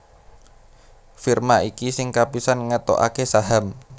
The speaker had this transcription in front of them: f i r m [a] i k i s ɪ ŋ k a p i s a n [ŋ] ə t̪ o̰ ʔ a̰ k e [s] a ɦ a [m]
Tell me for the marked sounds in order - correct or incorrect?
correct, correct, correct, correct

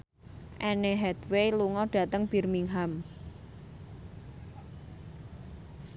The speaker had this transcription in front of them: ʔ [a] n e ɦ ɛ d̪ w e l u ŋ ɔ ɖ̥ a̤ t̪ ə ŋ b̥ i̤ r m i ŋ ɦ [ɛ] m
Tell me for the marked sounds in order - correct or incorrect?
incorrect, incorrect

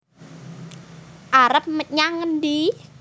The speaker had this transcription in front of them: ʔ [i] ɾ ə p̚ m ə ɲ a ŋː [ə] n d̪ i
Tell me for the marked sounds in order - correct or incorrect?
incorrect, correct

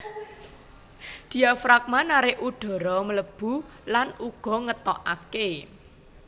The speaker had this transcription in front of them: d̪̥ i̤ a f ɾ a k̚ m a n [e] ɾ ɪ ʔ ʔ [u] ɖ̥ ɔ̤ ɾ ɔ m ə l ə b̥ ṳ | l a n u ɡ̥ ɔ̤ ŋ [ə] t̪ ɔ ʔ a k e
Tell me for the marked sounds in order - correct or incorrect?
incorrect, correct, correct

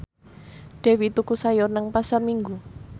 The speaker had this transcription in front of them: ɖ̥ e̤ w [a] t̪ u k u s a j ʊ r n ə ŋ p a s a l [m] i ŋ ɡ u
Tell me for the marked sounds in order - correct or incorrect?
incorrect, correct

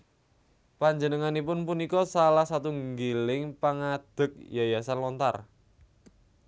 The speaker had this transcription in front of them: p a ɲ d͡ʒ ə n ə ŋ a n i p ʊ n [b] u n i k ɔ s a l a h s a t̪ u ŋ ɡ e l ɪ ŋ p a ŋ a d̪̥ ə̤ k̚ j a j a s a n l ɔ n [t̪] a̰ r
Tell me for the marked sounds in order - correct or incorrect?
incorrect, correct

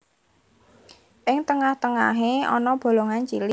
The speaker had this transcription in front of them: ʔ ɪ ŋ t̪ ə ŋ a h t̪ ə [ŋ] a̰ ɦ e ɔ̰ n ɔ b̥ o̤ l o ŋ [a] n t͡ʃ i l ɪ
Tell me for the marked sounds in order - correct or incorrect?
correct, correct

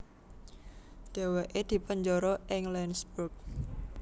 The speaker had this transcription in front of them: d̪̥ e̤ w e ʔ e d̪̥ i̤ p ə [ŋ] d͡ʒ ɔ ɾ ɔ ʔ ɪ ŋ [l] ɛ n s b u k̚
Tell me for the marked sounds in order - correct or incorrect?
incorrect, correct

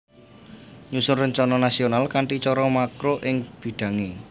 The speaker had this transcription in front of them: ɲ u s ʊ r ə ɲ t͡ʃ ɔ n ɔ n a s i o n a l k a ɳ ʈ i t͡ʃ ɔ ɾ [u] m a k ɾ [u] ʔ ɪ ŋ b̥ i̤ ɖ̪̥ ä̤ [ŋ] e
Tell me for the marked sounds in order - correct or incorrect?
incorrect, incorrect, correct

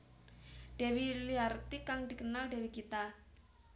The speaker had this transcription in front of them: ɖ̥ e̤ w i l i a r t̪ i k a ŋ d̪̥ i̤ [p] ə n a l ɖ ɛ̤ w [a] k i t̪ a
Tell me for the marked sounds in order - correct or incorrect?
incorrect, incorrect

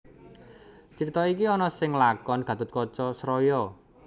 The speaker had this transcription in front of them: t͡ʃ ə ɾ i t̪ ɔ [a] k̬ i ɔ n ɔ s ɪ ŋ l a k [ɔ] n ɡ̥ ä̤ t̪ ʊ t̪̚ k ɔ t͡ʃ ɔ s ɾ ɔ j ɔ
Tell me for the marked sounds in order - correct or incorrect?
incorrect, correct

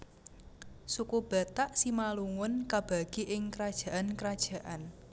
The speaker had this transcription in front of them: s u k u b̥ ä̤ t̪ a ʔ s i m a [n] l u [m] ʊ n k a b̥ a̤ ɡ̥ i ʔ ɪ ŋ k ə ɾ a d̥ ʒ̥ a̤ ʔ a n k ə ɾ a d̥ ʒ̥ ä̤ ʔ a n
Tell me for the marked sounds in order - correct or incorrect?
incorrect, incorrect

